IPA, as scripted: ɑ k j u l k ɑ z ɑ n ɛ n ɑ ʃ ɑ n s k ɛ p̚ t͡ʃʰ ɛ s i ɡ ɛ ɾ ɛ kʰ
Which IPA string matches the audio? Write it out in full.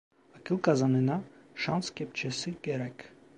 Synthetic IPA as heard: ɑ k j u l k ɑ z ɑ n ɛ n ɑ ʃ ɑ n s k ɛ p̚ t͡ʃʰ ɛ s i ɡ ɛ ɾ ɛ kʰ